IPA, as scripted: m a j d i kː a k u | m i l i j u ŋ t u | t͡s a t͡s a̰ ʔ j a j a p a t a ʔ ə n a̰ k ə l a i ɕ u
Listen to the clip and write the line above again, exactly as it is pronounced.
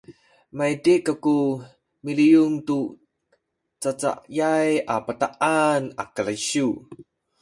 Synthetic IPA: m a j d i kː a k u | m i l i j u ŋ t u | t͡s a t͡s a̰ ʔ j a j a p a t a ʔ a n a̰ k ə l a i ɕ u